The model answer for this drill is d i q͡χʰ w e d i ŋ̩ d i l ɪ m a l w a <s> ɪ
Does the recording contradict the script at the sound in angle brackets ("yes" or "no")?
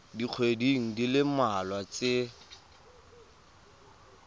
yes